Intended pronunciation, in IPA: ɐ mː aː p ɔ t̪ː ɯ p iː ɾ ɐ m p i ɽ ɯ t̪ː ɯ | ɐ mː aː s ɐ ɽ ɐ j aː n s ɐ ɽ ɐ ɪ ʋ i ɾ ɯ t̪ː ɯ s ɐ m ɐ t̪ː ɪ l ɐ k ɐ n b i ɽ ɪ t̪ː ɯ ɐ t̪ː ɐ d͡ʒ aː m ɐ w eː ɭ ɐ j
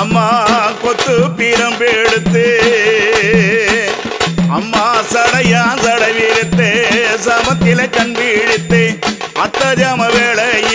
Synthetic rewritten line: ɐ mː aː k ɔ t̪ː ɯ p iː ɾ ɐ m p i ɽ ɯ t̪ː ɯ | ɐ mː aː s ɐ ɽ ɐ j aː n s ɐ ɽ ɐ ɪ ʋ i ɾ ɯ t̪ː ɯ s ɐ m ɐ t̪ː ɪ l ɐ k ɐ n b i ɽ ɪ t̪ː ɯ ɐ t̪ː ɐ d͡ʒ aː m ɐ ʋ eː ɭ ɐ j

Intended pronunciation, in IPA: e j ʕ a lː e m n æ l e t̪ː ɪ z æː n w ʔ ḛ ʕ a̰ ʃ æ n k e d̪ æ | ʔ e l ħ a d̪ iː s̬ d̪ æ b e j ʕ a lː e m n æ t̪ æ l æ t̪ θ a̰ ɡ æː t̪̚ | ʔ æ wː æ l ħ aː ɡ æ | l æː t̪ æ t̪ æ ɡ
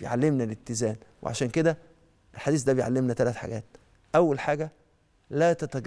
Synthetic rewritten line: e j ʕ a lː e m n æ l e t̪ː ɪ z æː n w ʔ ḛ ʕ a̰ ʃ æː n k e d̪ æ | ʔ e l ħ a d̪ iː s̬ d̪ æ b e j ʕ a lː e m n æ t̪ æ l æ t̪ ħ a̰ ɡ æː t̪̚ | ʔ æ wː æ l ħ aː ɡ æ | l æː t̪ æ t̪ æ ɡ

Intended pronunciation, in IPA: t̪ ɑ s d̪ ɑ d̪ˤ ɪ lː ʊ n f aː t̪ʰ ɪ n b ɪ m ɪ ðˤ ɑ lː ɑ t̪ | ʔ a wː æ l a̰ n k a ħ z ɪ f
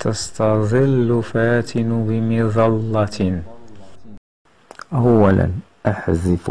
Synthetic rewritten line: t̪ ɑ s t̪ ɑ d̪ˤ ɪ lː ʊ f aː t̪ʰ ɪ n b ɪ m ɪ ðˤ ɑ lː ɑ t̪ | ʔ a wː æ l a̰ n ʔ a ħ z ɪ f

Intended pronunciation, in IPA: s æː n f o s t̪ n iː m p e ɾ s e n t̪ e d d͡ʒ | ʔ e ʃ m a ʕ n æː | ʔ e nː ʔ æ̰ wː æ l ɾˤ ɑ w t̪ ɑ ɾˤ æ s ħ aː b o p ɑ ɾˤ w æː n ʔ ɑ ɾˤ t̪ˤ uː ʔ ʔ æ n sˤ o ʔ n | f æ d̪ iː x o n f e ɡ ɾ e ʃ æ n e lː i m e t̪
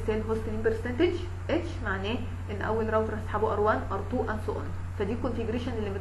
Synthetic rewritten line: s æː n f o s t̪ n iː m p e ɾ s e n t̪ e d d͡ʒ | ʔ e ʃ m a ʕ n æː | ʔ e nː ʔ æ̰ wː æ l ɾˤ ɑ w t̪ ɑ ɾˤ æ s ħ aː b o ʔ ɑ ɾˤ w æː n ʔ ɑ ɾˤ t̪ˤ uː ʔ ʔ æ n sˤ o ʔ n | f æ d̪ iː k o n f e ɡ ɾ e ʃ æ n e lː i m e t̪

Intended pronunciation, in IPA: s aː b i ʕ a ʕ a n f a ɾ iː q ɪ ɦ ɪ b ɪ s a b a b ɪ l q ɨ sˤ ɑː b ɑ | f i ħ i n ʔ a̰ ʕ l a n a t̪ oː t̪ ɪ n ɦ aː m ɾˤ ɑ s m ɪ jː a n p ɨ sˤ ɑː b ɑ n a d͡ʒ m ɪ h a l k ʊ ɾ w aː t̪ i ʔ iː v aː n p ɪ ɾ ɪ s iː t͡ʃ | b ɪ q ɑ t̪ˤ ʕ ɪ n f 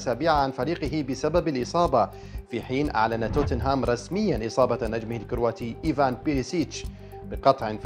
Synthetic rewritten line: s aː b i ʕ a ʕ a n f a ɾ iː q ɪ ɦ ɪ b ɪ s a b a b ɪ l ʔ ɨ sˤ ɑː b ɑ | f i ħ iː n ʔ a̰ ʕ l a n a t̪ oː t̪ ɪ n ɦ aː m ɾˤ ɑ s m ɪ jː a n ʔ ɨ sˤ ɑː b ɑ n a d͡ʒ m ɪ h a l k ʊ ɾ w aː t̪ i ʔ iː v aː n p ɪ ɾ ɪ s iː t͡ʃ | b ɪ q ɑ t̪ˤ ʕ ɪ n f

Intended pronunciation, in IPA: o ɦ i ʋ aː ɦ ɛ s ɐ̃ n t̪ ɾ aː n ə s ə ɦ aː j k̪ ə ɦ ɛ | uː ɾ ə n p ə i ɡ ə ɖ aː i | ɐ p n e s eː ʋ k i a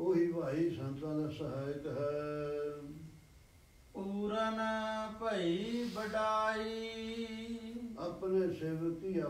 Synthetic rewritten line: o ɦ i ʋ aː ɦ i s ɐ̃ n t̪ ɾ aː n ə s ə ɦ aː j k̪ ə ɦ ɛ | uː ɾ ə n p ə i b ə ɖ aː i | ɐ p n e s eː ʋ k i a

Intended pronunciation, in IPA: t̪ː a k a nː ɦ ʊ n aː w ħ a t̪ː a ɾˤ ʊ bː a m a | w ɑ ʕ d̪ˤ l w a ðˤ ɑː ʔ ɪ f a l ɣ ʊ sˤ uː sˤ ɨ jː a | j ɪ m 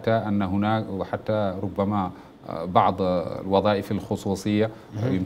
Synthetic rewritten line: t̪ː a ʔ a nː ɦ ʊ n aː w ħ a t̪ː a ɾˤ ʊ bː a m a | b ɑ ʕ d̪ˤ l w ɑ ðˤ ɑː ʔ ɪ f a l x ʊ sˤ uː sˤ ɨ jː a | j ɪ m

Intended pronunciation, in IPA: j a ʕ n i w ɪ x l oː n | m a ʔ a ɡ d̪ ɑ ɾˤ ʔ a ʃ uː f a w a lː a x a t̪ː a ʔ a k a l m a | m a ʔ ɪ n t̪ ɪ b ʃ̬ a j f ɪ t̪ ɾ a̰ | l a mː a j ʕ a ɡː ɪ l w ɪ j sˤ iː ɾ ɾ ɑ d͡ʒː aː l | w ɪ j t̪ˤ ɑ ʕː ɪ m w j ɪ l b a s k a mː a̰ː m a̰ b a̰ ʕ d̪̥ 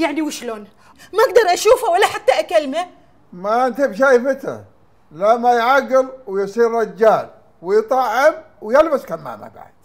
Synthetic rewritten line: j a ʕ n i w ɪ ʃ l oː n | m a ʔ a ɡ d̪ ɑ ɾˤ ʔ a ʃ uː f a w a lː a ħ a t̪ː a ʔ a k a l m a | m a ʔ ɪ n t̪ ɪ b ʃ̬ a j f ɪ t̪ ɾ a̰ | l a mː a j ʕ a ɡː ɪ l w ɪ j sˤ iː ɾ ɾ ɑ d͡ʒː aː l | w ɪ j t̪ˤ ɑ ʕː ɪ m w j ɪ l b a s k a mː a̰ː m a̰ b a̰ ʕ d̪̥

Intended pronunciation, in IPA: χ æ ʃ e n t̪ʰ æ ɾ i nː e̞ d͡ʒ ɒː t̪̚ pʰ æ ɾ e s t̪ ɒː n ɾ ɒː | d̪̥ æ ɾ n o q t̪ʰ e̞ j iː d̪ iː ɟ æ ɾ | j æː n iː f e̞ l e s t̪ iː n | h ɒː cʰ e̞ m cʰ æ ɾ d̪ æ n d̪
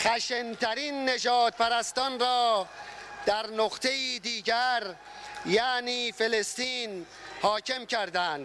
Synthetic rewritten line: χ æ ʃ e n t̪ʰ æ ɾ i nː e̞ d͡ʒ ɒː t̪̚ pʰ æ ɾ æ s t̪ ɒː n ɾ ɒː | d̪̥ æ ɾ n o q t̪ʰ e̞ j iː d̪ iː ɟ æ ɾ | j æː n iː f e̞ l e s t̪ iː n | h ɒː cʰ e̞ m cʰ æ ɾ d̪ æ n d̪

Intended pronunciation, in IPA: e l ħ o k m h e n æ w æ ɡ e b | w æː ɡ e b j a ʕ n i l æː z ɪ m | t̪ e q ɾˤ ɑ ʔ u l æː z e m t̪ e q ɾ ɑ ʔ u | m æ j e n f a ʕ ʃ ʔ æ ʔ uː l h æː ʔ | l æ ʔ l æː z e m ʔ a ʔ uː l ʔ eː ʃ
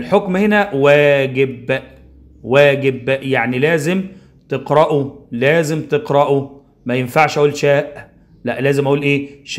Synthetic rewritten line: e l ħ o k m h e n æ w æː ɡ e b | w æː ɡ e b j a ʕ n i l æː z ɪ m | t̪ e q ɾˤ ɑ ʔ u l æː z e m t̪ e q ɾ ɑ ʔ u | m æ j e n f a ʕ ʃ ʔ æ ʔ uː l ʃ æː ʔ | l æ ʔ l æː z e m ʔ æ ʔ uː l ʔ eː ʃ

